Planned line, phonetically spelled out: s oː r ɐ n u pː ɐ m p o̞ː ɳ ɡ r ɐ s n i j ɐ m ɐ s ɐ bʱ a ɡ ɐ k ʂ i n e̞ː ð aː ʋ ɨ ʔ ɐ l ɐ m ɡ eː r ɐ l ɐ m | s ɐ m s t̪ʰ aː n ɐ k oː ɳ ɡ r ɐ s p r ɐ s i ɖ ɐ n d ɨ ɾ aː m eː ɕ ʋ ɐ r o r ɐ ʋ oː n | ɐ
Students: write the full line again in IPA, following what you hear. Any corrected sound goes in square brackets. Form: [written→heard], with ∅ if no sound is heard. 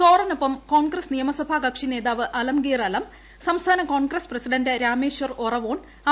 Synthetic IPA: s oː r ɐ n u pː ɐ m [p→k] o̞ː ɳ ɡ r ɐ s n i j ɐ m ɐ s ɐ bʱ a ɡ ɐ k ʂ i n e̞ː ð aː ʋ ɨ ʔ ɐ l ɐ m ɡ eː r ɐ l ɐ m | s ɐ m s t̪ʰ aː n ɐ k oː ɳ ɡ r ɐ s p r ɐ s i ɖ ɐ n d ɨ ɾ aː m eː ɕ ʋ ɐ r o r ɐ ʋ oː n | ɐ